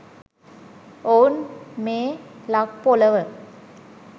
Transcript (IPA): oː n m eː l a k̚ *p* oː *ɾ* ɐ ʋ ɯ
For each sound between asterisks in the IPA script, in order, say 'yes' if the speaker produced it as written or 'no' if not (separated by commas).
yes, no